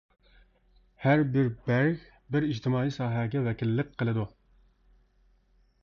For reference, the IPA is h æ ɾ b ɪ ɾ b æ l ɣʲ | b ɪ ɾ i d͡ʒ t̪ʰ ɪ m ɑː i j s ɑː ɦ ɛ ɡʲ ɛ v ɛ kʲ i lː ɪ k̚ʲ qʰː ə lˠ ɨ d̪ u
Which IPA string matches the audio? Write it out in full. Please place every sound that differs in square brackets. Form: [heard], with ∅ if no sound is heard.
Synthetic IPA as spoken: h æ ɾ b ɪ ɾ b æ [ɾ] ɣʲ | b ɪ ɾ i d͡ʒ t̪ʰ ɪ m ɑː i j s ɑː ɦ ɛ ɡʲ ɛ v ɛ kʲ i lː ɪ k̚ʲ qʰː ə lˠ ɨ d̪ u